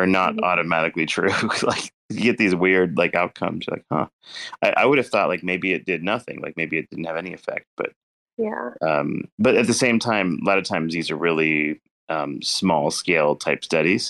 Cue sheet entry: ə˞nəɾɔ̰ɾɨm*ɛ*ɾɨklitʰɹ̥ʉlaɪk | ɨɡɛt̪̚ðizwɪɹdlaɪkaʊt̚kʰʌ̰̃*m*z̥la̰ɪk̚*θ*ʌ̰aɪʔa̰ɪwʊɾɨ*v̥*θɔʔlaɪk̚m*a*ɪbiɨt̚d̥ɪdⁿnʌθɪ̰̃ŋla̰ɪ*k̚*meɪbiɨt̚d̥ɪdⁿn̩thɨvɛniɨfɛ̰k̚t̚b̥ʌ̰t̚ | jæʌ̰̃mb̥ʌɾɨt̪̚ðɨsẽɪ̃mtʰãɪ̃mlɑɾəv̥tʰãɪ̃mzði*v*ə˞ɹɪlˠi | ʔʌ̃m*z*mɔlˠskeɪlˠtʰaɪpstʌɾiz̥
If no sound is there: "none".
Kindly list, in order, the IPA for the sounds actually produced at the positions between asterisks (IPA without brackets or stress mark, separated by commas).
æ, m, h, v̥, e, k̚, z, s